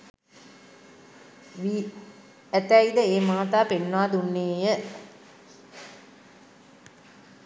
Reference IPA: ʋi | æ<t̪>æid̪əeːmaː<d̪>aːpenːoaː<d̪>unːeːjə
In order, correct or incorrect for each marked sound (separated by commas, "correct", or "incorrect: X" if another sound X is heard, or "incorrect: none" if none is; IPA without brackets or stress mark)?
correct, incorrect: t̪, correct